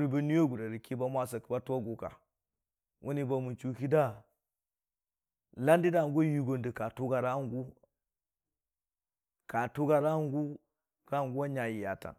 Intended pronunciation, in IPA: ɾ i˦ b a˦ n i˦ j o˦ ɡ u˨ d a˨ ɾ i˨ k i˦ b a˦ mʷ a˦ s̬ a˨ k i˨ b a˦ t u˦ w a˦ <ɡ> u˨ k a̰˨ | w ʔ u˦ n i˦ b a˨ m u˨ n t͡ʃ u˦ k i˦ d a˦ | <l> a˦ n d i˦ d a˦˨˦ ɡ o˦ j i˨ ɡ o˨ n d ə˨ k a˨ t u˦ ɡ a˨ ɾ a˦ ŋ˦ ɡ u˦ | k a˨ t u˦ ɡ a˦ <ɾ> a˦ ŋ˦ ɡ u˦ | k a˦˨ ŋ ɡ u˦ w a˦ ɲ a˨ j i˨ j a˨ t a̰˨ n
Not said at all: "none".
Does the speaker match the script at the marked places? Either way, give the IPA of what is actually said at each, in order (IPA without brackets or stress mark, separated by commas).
ɡ, l, ɾ